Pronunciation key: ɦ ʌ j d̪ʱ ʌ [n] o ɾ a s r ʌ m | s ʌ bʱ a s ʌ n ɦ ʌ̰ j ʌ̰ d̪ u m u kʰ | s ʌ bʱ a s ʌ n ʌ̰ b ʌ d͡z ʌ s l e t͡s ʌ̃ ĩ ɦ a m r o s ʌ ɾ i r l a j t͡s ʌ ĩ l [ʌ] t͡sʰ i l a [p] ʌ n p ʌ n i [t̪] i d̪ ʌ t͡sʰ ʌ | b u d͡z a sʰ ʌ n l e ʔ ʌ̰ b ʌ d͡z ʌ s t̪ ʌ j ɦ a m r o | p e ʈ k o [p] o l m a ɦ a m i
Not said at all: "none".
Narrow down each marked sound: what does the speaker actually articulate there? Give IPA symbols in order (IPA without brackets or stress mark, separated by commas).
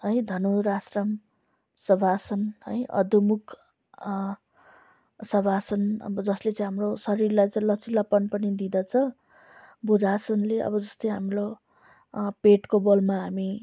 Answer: n, ʌ, p, d̪, b